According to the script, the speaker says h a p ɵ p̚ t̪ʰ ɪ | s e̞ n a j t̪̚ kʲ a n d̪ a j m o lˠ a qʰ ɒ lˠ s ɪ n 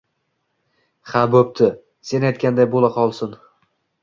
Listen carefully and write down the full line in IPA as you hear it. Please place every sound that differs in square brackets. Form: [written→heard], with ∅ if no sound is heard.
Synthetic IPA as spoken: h a [p→b] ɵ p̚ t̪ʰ ɪ | s e̞ n a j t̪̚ kʲ a n d̪ a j [m→b] o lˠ a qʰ ɒ lˠ s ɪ n